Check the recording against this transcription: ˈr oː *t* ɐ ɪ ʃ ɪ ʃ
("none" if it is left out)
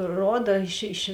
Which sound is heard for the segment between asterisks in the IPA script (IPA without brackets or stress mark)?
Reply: d